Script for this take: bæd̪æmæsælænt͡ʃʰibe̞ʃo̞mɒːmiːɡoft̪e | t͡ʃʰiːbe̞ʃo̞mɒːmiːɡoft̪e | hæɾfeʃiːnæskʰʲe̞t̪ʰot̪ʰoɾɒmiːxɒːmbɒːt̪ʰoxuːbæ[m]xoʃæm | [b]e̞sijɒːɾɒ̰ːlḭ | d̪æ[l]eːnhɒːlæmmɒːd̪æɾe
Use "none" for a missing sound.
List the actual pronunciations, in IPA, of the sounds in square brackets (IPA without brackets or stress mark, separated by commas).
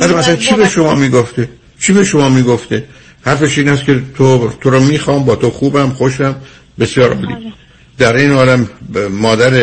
m, b, ɾ